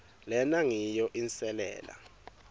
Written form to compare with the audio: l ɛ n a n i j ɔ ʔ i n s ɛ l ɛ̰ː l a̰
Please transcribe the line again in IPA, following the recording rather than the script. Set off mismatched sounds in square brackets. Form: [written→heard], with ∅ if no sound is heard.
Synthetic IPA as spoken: l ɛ n a [n→ŋ] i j ɔ ʔ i n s ɛ l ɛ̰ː l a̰